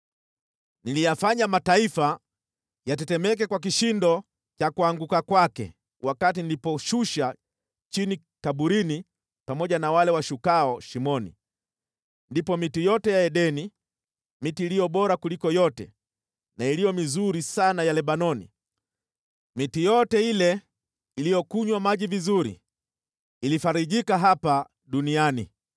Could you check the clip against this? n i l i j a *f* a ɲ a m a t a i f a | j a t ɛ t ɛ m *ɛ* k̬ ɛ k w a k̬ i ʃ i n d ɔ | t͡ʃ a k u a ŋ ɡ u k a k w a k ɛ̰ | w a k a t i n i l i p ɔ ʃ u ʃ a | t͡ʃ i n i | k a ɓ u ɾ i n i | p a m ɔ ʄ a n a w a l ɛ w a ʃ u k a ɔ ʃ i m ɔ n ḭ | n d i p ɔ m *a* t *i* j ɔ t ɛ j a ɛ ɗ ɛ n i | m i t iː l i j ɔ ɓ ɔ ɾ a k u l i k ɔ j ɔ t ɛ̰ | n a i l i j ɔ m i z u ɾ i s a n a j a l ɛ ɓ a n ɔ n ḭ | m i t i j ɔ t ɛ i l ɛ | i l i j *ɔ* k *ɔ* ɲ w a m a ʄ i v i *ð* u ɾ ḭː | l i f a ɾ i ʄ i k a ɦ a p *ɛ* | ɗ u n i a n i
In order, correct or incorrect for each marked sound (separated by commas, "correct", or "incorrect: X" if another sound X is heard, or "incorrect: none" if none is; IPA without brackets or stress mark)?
correct, correct, incorrect: i, correct, correct, incorrect: u, incorrect: z, incorrect: a